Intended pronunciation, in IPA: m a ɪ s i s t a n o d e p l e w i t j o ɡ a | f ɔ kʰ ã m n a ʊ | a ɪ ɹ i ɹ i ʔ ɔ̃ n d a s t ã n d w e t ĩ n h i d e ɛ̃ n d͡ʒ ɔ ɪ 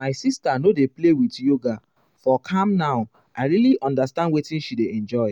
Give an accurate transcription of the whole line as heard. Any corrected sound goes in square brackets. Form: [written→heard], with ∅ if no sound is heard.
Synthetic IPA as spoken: m a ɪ s i s t a n o d e p l e w i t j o ɡ a | f ɔ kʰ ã m n a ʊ | a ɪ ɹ i [ɹ→l] i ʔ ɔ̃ n d a s t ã n d w e t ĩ n [h→ʃ] i d e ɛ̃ n d͡ʒ ɔ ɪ

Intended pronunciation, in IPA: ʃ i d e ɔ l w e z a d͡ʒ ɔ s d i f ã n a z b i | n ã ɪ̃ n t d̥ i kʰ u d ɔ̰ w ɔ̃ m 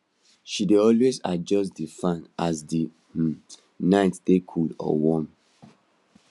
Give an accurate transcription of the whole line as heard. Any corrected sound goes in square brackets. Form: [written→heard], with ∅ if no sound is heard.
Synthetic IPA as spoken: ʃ i d e ɔ l w e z a d͡ʒ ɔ s d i f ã n a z [b→d] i | n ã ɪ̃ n t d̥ [i→e] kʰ u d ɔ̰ w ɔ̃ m

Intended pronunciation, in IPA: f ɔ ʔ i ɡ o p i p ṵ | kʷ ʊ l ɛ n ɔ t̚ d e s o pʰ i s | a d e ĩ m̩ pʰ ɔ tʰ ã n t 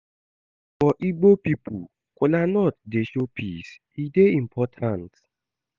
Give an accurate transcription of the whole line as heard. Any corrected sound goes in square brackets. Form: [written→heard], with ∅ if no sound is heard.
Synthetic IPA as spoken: f ɔ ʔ i [ɡ→ɡ͡b] o p i p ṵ | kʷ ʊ l [ɛ→a] n ɔ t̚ d e [s→ʃ] o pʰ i s | [a→i] d e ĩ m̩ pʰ ɔ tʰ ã n t

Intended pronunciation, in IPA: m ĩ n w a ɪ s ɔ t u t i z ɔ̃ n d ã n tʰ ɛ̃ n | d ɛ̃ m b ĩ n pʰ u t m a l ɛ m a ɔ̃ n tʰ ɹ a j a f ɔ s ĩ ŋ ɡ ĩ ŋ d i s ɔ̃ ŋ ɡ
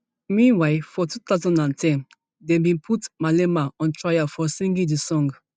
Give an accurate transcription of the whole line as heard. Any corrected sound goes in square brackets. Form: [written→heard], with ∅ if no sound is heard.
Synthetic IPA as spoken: m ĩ n w a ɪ [s→f] ɔ t u t [i→a] z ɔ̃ n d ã n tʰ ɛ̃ n | d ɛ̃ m b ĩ n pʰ u t m a l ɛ m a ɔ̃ n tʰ ɹ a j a f ɔ s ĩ ŋ ɡ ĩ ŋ d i s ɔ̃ ŋ ɡ

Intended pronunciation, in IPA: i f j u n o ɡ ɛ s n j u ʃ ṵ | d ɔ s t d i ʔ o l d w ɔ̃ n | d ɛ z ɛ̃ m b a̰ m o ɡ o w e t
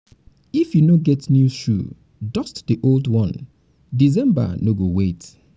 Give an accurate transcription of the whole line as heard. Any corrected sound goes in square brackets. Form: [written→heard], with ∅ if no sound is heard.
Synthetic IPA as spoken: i f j u n o ɡ ɛ [s→t] n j u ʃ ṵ | d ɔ s t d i ʔ o l d w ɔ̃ n | d [ɛ→i] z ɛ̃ m b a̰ [m→n] o ɡ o w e t

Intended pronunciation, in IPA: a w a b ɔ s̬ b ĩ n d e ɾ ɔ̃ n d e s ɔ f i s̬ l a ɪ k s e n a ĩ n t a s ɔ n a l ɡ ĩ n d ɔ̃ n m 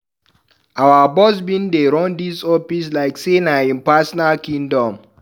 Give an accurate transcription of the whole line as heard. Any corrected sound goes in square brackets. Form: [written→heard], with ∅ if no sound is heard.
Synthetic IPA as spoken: a w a b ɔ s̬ b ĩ n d e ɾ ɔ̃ n d [e→i] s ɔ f i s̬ l a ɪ k s e n a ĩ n [t→p] a s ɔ n a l [ɡ→k] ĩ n d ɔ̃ [n→∅] m

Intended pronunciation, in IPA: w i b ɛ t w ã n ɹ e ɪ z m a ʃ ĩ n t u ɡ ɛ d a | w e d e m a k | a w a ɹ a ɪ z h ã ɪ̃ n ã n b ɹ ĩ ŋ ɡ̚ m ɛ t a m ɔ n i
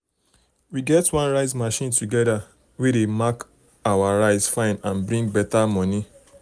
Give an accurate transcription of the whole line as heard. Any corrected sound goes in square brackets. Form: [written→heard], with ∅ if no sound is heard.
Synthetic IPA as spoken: w i [b→ɡ] ɛ t w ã n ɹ [e→a] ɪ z m a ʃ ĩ n t u ɡ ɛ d a | w e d e m a k | a w a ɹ a ɪ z [h→f] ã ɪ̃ n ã n b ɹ ĩ ŋ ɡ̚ [m→b] ɛ t a m ɔ n i

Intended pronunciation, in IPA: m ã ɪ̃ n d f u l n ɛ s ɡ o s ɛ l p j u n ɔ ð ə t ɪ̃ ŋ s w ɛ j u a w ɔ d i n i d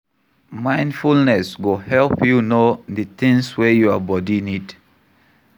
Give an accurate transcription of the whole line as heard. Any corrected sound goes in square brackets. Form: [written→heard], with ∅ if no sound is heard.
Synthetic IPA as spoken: m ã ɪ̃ n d f u l n ɛ s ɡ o [s→h] ɛ l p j u n [ɔ→o] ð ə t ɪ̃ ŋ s w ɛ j u a [w→b] ɔ d i n i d

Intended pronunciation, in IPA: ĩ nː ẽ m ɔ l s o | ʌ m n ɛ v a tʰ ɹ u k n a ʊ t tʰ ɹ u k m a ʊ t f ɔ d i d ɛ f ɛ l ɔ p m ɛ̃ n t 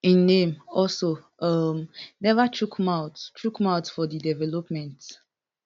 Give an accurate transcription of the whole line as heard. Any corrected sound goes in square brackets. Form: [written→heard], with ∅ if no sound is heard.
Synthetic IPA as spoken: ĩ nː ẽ m ɔ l s o | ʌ m n ɛ v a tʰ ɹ u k [n→m] a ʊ t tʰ ɹ u k m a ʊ t f ɔ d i d ɛ [f→v] ɛ l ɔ p m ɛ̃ n t

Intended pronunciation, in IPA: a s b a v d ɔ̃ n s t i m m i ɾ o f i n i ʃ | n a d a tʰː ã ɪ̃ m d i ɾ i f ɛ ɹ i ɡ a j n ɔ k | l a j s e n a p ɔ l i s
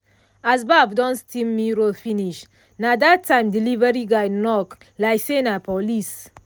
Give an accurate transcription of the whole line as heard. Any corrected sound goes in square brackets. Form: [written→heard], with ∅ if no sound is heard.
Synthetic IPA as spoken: a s b a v d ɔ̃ n s t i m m i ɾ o f i n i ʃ | n a d a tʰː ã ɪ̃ m d i [ɾ→l] i [f→v] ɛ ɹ i ɡ a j n ɔ k | l a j s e n a p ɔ l i s

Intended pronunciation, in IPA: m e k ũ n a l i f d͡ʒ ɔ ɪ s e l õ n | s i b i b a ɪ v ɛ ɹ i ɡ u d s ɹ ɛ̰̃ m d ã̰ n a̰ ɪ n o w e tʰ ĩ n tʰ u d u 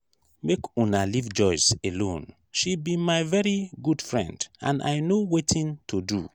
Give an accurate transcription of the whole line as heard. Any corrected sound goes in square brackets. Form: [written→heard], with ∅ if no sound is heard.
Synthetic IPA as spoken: m e k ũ n a l i [f→v] d͡ʒ ɔ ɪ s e l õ n | [s→ʃ] i b i [b→m] a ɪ v ɛ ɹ i ɡ u d [s→f] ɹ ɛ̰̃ [m→n] d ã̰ n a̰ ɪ n o w e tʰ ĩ n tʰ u d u

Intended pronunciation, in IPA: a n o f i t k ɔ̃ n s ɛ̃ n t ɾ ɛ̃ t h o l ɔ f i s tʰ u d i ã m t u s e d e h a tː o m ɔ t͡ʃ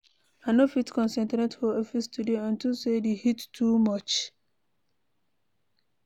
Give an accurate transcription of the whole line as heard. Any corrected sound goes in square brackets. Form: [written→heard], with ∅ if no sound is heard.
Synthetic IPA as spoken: a n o f i t k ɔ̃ n s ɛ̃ n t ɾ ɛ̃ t h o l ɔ f i s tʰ u d [i→e] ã [m→n] t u s e d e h [a→i] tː [o→u] m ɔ t͡ʃ

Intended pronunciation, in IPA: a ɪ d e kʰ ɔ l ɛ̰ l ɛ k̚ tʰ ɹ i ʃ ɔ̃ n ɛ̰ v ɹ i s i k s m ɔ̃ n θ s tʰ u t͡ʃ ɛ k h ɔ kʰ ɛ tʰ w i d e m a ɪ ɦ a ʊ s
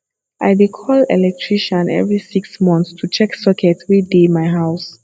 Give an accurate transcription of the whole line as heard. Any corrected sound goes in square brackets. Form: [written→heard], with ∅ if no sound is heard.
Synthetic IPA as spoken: a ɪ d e kʰ ɔ l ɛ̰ l ɛ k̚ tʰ ɹ i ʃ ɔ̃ n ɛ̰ v ɹ i s i k s m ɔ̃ n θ s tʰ u t͡ʃ ɛ k [h→s] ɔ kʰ ɛ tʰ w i d e m a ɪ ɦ a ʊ s

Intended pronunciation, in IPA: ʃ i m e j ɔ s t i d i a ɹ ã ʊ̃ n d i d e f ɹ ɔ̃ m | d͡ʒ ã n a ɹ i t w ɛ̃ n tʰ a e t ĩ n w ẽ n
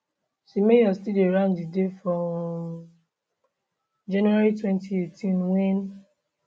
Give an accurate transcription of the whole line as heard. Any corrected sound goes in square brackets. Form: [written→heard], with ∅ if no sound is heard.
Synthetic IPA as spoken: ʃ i m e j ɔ s t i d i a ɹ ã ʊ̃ n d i d e f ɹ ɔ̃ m | d͡ʒ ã n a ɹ i t w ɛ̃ n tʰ [a→i] e t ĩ n w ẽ n

